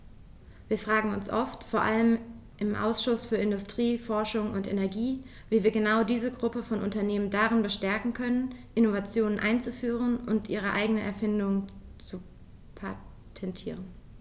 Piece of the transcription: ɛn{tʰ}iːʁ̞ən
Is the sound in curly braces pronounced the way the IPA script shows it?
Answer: yes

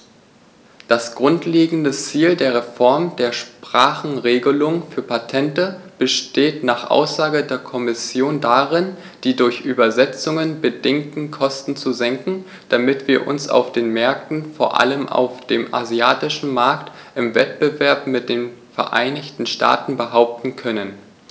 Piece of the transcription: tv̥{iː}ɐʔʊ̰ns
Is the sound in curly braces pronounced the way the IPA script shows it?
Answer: yes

